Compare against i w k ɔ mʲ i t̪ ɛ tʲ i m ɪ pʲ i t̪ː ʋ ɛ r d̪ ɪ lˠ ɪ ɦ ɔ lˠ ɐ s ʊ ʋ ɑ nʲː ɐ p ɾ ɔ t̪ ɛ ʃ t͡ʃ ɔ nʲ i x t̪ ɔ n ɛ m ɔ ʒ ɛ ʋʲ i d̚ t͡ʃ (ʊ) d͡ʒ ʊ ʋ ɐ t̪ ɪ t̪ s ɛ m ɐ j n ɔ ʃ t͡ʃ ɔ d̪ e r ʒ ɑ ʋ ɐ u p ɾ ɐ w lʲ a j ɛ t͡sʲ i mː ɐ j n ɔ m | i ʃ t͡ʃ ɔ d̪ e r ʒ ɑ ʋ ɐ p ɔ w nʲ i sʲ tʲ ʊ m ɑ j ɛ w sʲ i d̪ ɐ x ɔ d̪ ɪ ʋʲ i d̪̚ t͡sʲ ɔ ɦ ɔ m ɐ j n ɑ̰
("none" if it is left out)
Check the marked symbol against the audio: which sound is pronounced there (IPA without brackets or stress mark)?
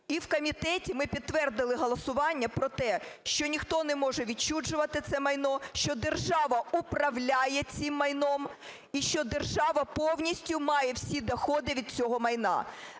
u